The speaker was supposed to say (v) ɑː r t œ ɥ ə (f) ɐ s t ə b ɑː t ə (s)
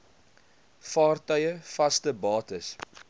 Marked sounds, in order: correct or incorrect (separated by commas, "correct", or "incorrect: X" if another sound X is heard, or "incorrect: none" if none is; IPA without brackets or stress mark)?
incorrect: f, correct, correct